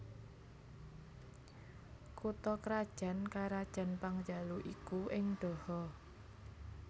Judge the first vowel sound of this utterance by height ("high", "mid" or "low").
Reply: high